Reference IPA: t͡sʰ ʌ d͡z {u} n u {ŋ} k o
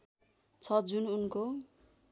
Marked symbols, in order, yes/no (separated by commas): yes, no